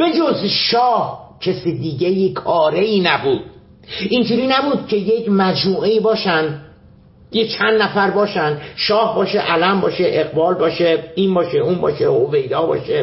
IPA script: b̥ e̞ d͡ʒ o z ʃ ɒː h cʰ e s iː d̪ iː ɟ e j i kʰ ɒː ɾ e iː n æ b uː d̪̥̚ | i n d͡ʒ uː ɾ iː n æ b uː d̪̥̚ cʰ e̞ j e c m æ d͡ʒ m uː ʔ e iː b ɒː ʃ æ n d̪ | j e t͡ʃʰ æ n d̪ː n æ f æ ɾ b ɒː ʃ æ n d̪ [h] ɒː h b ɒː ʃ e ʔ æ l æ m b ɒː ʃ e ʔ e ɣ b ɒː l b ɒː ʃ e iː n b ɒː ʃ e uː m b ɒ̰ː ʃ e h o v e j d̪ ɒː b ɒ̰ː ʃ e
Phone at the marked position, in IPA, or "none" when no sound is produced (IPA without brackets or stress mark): ʃ